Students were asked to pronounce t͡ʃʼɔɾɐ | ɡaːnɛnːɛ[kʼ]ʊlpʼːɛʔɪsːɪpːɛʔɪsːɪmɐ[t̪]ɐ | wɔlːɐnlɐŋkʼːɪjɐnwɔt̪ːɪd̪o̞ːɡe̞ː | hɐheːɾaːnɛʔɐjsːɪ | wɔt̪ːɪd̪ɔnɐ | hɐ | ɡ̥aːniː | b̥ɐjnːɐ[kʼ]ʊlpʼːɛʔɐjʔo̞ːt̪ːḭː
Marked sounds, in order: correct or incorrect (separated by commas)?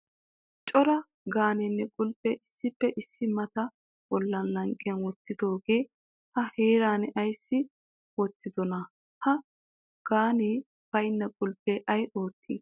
correct, correct, correct